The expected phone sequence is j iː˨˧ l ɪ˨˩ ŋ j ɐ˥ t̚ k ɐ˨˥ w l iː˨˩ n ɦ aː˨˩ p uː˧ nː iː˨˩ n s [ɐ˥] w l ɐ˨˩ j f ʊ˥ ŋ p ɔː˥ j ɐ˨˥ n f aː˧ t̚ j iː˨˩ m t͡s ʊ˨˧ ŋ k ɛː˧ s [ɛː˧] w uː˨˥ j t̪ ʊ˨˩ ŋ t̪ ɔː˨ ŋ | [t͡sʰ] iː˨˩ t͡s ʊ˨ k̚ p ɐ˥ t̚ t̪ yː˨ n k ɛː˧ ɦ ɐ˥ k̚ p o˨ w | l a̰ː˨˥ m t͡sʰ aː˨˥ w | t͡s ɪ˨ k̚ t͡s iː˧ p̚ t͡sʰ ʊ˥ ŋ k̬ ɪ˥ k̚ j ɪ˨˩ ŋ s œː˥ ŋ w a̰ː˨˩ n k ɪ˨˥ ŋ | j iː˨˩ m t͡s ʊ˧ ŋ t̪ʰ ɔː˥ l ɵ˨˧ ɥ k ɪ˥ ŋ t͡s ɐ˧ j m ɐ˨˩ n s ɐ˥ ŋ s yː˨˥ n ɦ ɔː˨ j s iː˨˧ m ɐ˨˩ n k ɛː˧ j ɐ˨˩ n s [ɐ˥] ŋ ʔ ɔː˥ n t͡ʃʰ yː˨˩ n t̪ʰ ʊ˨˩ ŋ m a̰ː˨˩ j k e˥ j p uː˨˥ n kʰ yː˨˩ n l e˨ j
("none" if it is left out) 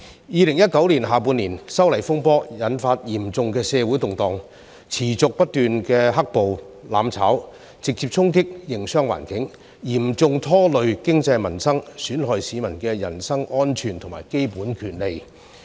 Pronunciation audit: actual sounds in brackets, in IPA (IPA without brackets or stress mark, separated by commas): ɐ˥, ɛː˧, t͡sʰ, ɐ˥